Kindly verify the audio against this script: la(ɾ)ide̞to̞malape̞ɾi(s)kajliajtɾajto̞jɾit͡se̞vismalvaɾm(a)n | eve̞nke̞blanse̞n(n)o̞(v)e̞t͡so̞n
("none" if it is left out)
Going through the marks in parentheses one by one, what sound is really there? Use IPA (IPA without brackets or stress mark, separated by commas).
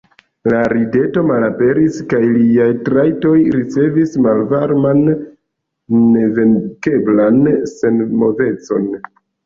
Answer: ɾ, s, a, m, v